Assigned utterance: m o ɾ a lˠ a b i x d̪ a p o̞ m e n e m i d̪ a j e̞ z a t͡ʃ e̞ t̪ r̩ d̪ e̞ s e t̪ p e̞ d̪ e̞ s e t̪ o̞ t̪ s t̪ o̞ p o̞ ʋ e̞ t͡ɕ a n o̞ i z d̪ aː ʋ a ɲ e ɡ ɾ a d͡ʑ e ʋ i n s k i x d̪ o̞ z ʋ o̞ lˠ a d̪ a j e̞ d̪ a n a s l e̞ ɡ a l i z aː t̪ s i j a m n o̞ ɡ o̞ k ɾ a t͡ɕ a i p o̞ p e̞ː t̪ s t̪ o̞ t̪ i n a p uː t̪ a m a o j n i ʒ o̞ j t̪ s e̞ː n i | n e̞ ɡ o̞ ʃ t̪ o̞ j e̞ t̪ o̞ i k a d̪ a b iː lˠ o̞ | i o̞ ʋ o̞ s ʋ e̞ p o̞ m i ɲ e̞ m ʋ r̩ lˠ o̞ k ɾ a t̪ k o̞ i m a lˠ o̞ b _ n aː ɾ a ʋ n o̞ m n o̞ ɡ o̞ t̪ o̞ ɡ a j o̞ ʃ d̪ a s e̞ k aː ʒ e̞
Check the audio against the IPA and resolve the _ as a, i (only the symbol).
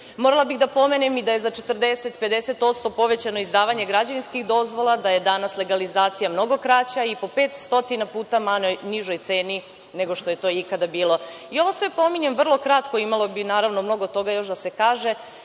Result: i